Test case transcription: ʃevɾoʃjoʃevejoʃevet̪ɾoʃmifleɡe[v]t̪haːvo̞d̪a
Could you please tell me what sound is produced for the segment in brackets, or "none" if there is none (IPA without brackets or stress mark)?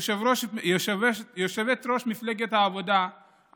none